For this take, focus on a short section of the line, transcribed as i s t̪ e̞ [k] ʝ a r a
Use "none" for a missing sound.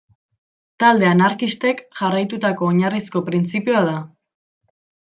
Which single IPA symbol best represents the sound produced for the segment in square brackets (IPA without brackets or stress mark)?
k